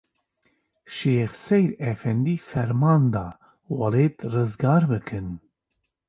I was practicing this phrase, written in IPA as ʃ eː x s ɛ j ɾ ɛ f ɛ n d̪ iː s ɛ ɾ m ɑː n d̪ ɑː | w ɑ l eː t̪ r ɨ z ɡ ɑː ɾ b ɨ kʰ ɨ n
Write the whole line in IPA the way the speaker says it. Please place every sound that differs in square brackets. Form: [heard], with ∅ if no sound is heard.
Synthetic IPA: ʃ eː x s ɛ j ɾ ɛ f ɛ n d̪ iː [f] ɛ ɾ m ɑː n d̪ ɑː | w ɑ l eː t̪ r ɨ z ɡ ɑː ɾ b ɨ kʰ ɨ n